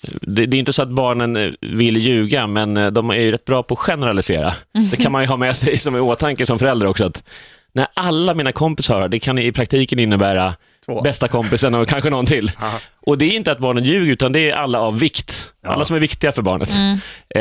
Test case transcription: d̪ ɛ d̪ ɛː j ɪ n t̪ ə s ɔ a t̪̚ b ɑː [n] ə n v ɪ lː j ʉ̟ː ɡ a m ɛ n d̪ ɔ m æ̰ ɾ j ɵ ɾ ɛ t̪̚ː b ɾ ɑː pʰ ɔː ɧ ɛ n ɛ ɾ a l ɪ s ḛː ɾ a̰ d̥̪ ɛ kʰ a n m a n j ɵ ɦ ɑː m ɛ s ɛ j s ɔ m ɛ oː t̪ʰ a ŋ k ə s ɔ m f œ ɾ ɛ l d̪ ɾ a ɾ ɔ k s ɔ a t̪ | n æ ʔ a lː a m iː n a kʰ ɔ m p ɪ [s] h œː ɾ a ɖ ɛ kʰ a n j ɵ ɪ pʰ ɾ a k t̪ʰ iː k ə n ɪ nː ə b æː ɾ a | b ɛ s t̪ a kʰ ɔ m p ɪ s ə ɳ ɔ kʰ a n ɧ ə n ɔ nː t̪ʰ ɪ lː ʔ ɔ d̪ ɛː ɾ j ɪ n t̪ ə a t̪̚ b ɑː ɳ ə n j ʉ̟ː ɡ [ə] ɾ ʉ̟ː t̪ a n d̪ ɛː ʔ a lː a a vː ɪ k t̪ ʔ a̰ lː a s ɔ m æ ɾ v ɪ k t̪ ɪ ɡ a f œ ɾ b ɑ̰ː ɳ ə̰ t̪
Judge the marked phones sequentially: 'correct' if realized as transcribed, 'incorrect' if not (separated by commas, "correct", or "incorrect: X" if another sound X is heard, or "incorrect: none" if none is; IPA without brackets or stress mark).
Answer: incorrect: ɳ, correct, correct